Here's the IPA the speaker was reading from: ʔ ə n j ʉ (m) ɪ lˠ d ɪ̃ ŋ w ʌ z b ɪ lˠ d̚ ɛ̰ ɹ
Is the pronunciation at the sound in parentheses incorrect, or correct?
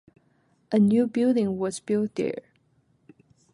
incorrect